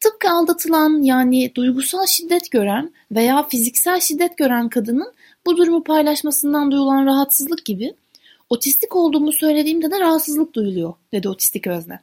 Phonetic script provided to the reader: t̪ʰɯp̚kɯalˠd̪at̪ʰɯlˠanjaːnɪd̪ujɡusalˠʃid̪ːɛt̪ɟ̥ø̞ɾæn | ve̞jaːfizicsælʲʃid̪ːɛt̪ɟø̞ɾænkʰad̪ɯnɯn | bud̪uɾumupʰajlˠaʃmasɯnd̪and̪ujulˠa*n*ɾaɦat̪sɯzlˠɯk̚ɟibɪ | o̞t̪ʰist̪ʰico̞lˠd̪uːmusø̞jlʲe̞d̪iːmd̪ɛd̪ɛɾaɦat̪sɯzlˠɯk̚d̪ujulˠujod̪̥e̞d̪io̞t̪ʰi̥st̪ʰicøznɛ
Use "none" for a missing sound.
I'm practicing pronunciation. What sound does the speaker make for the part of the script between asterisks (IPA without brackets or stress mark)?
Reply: n